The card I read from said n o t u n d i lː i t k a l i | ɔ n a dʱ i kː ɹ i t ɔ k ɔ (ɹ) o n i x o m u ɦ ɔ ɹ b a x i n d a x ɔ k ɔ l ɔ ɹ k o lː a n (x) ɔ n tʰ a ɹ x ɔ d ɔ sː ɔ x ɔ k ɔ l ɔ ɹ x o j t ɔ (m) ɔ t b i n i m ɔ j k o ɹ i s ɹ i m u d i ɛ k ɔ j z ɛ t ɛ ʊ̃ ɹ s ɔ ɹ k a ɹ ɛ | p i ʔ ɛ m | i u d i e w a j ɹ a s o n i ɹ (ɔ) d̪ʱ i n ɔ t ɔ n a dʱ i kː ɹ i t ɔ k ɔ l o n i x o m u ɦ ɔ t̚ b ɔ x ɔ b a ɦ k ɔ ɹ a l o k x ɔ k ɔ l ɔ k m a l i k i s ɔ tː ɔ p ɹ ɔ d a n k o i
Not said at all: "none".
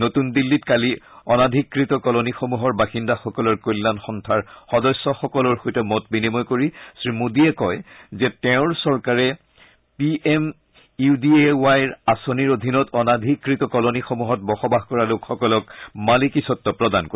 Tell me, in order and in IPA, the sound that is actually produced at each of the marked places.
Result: l, x, m, o

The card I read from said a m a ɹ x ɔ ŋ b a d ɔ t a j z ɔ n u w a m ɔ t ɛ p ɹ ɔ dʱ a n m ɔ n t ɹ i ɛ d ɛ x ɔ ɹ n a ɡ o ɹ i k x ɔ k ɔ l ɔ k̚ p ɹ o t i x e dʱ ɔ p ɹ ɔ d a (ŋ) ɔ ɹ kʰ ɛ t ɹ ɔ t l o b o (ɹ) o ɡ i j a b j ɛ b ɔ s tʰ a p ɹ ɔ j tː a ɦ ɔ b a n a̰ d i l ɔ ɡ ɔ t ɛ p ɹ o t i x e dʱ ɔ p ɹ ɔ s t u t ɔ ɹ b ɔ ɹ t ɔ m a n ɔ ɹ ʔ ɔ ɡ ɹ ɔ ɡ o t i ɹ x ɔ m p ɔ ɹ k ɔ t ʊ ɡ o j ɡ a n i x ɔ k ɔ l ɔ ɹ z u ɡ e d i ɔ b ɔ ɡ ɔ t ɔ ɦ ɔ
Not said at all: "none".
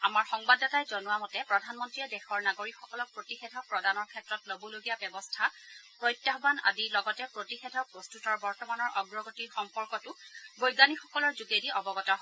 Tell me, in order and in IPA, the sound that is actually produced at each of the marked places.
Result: n, l

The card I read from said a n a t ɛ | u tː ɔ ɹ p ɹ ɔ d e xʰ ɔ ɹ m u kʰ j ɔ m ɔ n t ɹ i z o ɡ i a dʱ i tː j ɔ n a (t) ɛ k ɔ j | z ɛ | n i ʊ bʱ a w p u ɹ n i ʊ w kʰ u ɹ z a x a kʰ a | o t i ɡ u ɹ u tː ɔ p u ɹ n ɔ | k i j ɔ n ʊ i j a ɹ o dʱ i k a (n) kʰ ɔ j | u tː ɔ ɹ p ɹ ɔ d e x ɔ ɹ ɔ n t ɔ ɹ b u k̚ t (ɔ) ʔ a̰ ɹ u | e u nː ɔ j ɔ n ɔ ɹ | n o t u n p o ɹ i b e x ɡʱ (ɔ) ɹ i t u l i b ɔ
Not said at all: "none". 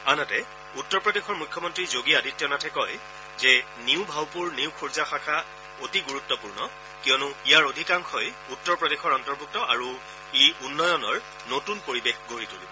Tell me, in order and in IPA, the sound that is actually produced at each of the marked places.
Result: tʰ, ŋ, ɔ, o

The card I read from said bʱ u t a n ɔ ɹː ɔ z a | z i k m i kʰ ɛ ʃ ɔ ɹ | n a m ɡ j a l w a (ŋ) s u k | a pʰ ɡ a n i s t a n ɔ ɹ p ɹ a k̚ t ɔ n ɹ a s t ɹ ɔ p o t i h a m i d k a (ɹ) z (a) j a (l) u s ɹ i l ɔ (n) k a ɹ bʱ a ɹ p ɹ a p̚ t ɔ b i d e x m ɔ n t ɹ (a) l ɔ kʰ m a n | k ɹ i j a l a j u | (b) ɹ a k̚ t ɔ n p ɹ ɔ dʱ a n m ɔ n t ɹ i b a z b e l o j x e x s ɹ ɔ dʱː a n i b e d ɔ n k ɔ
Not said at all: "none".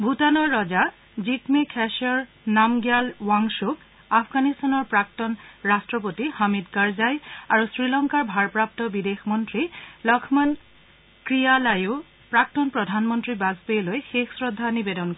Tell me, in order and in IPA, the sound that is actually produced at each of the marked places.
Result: ŋ, ɹ, a, ɹ, ŋ, i, p

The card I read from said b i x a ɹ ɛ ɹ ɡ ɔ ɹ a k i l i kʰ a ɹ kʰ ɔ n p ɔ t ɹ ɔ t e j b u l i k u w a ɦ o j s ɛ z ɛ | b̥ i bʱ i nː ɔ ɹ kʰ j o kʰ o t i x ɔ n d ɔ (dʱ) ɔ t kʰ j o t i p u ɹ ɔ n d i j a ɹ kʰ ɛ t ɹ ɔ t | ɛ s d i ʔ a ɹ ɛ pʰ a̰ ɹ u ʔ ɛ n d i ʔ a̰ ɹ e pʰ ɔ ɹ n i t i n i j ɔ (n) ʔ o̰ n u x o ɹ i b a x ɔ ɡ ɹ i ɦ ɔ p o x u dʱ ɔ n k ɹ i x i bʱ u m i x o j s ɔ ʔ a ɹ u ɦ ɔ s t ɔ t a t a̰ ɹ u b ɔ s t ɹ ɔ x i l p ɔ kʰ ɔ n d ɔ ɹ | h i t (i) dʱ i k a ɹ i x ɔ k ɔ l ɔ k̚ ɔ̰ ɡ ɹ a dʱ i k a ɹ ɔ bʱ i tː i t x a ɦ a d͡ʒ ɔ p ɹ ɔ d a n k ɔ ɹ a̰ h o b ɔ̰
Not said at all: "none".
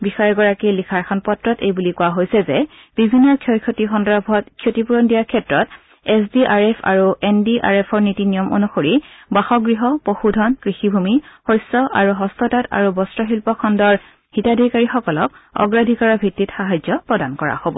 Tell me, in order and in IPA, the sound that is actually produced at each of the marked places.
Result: bʱ, m, a

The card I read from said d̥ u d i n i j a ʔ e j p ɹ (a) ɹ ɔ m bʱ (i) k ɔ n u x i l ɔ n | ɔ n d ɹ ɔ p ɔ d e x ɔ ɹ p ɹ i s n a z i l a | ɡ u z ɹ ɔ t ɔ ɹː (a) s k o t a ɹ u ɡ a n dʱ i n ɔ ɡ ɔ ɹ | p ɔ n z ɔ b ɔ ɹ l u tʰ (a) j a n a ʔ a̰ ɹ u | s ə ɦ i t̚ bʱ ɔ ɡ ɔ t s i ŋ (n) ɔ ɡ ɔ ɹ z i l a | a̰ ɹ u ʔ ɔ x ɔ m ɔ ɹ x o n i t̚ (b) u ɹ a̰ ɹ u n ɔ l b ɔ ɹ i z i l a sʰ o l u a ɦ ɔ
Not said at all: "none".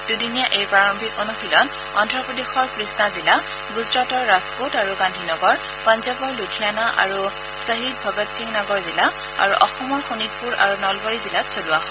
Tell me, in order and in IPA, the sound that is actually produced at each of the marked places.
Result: a, i, a, i, n, p

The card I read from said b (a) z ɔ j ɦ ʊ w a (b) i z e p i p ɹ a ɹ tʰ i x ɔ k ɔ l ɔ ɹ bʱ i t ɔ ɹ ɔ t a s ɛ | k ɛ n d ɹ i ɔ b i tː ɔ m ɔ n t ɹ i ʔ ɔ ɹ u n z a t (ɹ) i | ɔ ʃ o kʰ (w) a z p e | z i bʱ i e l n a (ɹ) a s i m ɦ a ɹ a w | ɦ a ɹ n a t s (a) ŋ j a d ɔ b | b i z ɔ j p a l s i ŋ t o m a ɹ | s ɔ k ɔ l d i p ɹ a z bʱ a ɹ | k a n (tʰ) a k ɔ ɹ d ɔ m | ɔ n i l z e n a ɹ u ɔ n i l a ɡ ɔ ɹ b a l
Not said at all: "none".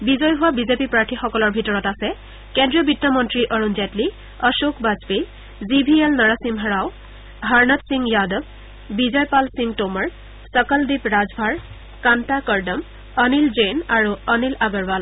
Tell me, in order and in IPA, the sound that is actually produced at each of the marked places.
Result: i, b, l, b, ɹ, i, t

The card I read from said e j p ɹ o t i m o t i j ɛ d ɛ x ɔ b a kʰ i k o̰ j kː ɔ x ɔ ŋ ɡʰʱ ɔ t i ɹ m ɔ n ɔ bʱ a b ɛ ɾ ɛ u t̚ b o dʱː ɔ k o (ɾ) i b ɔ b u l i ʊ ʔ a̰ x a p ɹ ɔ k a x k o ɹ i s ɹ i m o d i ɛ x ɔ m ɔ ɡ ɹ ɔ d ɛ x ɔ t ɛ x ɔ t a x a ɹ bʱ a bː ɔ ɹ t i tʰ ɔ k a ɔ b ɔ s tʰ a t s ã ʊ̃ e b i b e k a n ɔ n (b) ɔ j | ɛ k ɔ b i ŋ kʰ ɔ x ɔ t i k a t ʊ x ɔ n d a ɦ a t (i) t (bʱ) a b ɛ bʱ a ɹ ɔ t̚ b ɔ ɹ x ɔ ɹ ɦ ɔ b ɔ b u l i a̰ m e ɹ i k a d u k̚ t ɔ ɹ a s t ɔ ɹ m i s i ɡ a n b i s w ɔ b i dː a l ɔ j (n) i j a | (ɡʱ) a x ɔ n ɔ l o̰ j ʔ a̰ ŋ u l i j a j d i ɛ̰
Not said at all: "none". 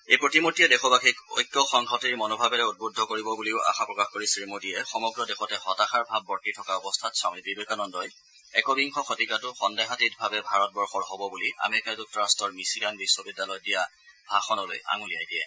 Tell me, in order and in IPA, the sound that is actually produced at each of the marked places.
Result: ɹ, d, i, bʱ, d, bʱ

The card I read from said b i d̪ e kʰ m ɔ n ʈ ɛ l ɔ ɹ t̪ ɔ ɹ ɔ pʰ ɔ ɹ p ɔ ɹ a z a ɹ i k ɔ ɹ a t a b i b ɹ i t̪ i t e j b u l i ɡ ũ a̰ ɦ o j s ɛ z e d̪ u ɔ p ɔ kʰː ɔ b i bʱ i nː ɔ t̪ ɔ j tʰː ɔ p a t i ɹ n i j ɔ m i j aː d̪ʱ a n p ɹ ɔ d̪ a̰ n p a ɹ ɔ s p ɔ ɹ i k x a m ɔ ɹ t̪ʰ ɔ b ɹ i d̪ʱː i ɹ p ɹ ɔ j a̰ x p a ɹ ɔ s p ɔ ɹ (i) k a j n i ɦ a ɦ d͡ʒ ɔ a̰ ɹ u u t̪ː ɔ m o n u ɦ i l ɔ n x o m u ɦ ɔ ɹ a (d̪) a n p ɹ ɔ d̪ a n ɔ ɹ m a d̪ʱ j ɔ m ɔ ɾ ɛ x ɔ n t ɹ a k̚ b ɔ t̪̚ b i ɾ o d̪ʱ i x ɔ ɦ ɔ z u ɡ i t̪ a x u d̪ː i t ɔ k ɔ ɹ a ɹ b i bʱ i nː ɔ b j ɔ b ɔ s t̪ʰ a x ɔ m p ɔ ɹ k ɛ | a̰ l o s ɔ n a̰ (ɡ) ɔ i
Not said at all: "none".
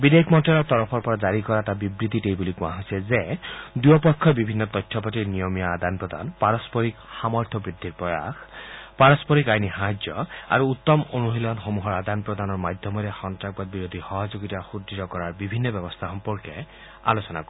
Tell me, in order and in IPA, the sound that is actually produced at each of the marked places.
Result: i, d̪, k

